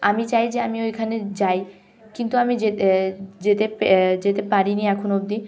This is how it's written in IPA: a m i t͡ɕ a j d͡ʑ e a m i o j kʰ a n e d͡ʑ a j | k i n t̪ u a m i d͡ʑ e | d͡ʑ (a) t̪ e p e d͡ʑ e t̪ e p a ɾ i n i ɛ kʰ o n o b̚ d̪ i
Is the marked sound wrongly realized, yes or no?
yes